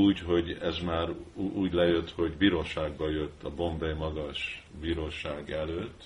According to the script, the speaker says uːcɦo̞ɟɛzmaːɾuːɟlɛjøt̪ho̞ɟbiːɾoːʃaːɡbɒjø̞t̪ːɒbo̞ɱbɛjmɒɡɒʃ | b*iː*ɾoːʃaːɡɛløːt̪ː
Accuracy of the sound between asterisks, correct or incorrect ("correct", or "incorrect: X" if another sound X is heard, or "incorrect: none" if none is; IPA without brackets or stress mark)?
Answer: correct